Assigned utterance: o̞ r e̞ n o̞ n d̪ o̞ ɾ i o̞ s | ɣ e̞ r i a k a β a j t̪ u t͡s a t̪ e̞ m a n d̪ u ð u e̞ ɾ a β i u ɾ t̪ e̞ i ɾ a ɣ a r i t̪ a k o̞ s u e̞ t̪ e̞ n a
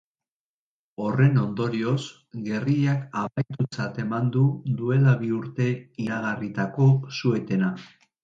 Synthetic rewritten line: o̞ r e̞ n o̞ n d̪ o̞ ɾ i o̞ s | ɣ e̞ r i a k a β a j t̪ u t͡s a t̪ e̞ m a n d̪ u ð u e̞ l a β i u ɾ t̪ e̞ i ɾ a ɣ a r i t̪ a k o̞ s u e̞ t̪ e̞ n a